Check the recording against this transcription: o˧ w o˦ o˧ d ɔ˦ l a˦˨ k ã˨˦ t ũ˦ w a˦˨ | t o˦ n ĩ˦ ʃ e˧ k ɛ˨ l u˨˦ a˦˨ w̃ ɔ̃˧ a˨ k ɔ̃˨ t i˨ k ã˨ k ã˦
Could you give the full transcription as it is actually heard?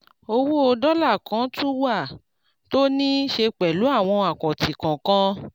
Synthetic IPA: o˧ w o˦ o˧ d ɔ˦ l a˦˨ k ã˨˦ t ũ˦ w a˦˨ | t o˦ n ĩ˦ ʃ e˧ k͡p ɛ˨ l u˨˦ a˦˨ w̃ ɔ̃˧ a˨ k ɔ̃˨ t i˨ k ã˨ k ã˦